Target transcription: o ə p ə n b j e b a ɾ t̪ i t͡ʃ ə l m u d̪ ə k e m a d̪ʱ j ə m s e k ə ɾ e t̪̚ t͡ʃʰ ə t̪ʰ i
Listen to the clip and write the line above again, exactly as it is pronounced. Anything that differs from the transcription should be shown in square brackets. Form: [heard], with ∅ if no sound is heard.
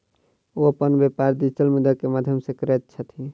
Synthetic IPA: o ə p ə n b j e [p] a ɾ [d̪] i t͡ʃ ə l m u d̪ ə k e m a d̪ʱ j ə m s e k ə ɾ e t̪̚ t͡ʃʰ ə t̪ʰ i